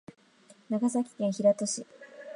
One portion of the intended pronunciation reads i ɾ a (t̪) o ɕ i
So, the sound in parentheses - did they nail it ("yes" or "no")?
yes